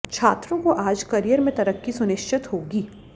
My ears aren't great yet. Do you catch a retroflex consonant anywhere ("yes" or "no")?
no